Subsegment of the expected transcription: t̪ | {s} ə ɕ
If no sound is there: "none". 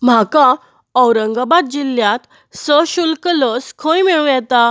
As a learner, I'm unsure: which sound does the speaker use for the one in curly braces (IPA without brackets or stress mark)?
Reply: s